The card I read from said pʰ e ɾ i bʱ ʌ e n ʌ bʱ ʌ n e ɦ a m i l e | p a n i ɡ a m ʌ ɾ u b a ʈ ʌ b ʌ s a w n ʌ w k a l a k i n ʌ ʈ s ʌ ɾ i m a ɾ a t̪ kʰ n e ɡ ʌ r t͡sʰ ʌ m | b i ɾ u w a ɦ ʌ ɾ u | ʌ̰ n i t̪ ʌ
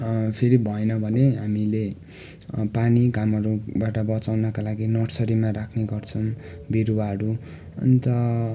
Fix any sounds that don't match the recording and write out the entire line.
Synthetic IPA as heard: pʰ e ɾ i bʱ ʌ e n ʌ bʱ ʌ n e ɦ a m i l e | p a n i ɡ a m ʌ ɾ u b a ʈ ʌ b ʌ t͡s a w n ʌ k a l a ɡ i n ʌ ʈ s ʌ ɾ i m a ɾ a kʰ n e ɡ ʌ r t͡sʰ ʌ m | b i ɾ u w a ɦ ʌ ɾ u | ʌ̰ n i t̪ ʌ